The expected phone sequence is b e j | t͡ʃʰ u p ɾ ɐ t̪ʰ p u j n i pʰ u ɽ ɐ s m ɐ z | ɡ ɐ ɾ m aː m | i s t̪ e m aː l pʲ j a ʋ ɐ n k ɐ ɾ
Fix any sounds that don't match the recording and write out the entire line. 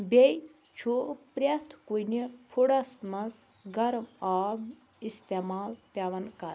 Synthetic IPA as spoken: b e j | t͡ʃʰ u p ɾ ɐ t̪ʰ k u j n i pʰ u ɽ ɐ s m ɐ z | ɡ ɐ ɾ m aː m | i s t̪ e m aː l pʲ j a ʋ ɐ n k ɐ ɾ